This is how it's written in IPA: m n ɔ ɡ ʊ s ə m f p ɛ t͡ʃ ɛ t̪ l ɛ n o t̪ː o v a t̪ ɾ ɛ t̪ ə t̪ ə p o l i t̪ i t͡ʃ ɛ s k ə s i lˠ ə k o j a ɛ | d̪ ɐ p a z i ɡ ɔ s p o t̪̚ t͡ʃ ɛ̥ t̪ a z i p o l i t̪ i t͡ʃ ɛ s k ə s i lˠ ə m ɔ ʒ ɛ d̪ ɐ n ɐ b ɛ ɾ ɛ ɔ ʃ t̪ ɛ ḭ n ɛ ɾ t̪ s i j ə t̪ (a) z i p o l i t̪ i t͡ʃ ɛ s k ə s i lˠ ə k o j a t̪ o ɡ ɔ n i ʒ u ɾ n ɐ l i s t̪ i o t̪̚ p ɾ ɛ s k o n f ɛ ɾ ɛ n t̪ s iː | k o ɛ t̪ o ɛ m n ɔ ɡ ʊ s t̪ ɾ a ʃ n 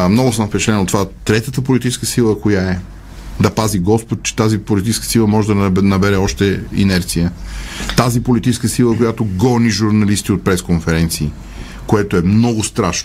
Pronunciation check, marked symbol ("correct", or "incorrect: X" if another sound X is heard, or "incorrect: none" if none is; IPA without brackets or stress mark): correct